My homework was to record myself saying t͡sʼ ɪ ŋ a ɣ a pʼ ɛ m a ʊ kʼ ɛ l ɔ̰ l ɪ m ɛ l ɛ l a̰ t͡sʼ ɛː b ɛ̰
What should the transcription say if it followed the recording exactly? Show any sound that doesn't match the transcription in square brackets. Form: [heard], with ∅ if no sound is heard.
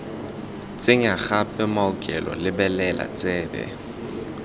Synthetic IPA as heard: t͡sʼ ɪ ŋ a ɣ a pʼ ɛ m a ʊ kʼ ɛ l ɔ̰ l ɪ [b] ɛ l ɛ l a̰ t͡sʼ ɛː b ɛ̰